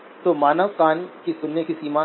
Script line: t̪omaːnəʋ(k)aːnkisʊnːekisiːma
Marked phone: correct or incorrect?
correct